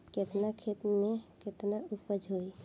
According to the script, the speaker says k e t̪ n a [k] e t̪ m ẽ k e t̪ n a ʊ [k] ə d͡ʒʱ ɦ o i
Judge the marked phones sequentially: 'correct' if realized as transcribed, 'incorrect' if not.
incorrect, incorrect

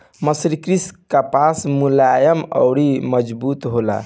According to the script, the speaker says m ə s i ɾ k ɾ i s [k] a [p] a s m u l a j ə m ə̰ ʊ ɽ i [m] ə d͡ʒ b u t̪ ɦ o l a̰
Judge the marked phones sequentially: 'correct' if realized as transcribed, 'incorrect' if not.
correct, correct, correct

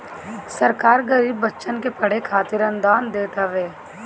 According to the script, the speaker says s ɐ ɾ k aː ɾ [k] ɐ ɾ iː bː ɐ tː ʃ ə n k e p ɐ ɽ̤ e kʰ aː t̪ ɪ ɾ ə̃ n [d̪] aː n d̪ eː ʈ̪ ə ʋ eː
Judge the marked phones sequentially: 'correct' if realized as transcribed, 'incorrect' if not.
incorrect, correct

